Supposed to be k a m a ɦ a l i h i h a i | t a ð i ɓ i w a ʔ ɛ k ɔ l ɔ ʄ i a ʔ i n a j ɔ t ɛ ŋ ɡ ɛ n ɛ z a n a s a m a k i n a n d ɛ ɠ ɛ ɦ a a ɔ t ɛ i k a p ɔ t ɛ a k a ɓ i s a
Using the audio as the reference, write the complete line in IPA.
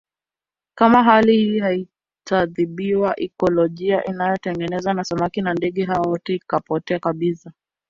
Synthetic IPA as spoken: k a m a ɦ a l i h i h a i | t a ð i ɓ i w a ʔ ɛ k ɔ l ɔ ʄ i a ʔ i n a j ɔ t ɛ ŋ ɡ ɛ n ɛ z a n a s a m a k i n a n d ɛ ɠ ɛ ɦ a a ɔ t ɛ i k a p ɔ t ɛ a k a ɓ i s a